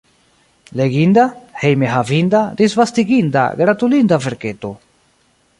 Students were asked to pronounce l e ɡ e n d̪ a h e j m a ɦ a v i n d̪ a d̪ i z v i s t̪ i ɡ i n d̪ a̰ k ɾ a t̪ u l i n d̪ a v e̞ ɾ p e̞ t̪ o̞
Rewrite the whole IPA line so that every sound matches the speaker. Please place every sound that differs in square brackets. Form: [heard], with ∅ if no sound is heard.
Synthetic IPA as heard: l e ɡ [i] n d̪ a h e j m [e] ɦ a v i n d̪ a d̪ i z v [a] s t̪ i ɡ i n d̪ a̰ [ɡ] ɾ a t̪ u l i n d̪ a v e̞ ɾ [k] e̞ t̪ o̞